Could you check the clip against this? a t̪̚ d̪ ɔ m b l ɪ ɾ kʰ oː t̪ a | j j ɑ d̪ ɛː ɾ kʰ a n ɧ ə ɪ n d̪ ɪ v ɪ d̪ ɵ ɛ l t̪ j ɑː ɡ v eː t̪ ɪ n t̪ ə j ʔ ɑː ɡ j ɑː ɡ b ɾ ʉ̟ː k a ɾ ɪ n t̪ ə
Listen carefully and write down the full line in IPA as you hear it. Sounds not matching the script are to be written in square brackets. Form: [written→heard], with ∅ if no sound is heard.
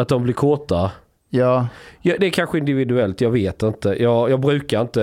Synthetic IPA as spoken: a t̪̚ d̪ ɔ m b l ɪ ɾ kʰ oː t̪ a | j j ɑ d̪ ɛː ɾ kʰ a n ɧ ə ɪ n d̪ ɪ v ɪ d̪ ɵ ɛ l t̪ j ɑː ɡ v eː t̪ ɪ n t̪ ə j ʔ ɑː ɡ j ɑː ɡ b ɾ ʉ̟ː k a ɾ ɪ n t̪ ə